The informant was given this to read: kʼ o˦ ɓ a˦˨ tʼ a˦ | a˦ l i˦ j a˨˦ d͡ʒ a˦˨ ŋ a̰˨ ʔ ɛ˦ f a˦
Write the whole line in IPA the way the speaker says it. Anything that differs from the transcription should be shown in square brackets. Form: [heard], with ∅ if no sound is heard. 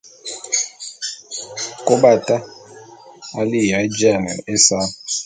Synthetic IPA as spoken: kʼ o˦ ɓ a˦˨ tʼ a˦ | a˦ l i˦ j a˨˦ d͡ʒ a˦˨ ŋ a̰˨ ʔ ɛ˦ [s] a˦

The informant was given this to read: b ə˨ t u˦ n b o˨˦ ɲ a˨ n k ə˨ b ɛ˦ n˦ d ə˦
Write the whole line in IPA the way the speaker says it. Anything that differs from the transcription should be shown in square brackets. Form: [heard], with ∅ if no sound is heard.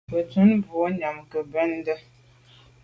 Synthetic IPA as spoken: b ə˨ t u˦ n b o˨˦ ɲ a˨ [m] k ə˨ b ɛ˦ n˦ d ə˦

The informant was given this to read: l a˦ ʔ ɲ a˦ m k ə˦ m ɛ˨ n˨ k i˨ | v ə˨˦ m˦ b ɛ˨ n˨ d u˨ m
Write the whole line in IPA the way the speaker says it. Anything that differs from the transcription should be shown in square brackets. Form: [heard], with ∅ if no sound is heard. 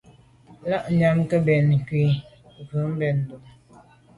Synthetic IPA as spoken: l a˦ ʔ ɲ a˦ m k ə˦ [b] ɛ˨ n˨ k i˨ | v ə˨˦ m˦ b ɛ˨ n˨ d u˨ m

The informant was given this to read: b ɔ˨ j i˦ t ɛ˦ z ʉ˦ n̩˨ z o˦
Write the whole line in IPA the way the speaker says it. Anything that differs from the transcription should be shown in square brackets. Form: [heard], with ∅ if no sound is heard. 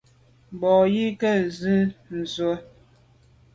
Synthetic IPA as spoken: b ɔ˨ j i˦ [k] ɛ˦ z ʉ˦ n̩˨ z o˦

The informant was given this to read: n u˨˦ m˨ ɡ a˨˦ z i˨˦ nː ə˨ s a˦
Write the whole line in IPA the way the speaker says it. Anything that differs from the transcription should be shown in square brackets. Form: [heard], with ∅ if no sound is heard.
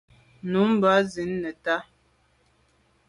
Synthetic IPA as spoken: n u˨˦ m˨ [b] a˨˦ z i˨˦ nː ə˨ [t] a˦

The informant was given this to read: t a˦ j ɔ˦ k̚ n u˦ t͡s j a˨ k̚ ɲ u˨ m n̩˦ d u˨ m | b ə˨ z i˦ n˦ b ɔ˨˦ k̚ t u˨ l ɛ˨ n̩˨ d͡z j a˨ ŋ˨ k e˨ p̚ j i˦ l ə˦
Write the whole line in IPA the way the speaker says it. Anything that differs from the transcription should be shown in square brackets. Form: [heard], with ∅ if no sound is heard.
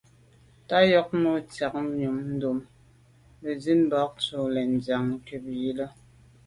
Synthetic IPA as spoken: t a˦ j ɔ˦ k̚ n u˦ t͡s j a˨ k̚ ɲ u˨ m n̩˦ d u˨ m | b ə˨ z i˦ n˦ b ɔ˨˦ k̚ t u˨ l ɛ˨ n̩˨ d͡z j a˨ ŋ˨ k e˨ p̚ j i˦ l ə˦

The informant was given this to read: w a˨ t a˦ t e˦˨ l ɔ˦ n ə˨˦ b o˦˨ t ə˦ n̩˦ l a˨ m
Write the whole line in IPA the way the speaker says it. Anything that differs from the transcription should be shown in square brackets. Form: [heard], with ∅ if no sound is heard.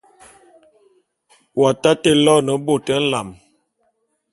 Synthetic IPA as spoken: w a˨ t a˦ t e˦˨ l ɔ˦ n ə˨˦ b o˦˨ t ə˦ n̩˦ l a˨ m

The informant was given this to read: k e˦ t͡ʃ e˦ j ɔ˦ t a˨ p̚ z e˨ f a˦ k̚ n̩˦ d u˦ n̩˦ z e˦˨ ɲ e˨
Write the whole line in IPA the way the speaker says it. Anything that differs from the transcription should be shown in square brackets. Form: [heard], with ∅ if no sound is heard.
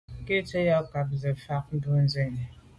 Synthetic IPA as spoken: k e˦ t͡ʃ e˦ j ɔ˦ [k] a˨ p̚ z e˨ f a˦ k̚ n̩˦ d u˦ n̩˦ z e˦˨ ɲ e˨

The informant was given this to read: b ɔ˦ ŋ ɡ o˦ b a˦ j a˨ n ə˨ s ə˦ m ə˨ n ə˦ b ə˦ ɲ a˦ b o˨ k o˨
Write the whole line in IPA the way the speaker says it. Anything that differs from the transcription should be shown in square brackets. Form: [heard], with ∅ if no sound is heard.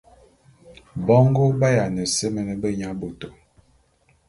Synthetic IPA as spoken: b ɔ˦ ŋ ɡ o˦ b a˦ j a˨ n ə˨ s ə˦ m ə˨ n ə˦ b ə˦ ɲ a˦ b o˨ [t] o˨

